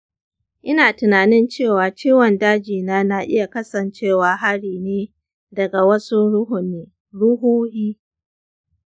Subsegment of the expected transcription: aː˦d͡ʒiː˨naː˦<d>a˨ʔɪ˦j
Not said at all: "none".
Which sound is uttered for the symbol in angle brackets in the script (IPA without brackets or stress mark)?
n